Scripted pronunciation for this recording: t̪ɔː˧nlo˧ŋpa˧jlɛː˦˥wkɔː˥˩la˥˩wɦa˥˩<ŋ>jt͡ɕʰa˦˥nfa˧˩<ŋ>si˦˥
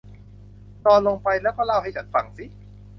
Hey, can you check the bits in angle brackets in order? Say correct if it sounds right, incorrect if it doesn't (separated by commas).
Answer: incorrect, correct